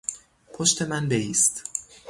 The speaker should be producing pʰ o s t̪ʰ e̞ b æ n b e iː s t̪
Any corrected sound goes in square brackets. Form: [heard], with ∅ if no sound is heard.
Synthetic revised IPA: pʰ o [ʃ] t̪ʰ e̞ [m] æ n b e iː s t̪